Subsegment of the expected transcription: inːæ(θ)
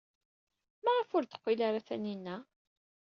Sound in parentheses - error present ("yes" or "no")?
yes